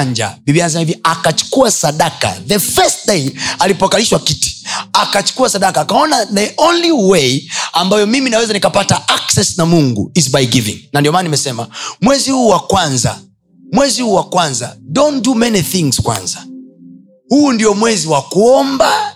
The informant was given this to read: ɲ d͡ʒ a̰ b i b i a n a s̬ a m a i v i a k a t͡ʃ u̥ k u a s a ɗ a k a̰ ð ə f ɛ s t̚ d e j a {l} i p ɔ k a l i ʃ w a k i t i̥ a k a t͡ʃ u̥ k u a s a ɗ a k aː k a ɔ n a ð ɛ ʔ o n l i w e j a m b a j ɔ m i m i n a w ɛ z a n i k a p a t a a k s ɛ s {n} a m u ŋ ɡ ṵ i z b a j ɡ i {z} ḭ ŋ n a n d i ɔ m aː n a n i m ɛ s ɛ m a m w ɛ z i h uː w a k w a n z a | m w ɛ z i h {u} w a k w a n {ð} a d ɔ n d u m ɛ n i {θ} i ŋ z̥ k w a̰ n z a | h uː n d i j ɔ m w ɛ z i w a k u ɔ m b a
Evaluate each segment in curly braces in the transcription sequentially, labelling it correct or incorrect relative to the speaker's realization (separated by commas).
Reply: correct, correct, incorrect, incorrect, incorrect, correct